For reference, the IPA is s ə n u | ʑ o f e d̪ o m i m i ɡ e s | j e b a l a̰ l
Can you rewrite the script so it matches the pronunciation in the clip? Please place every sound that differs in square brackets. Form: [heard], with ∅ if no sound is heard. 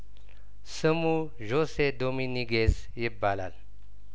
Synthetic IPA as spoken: s ə [m] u | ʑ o [s] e d̪ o m i [n] i ɡ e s | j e b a l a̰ l